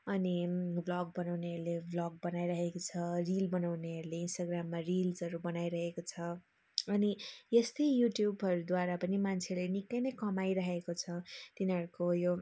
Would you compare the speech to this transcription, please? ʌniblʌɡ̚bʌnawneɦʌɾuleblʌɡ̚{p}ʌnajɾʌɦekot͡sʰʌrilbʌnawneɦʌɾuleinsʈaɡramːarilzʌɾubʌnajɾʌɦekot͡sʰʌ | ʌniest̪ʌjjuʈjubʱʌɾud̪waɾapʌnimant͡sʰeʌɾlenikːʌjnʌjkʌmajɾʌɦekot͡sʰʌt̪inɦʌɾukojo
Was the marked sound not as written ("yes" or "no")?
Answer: yes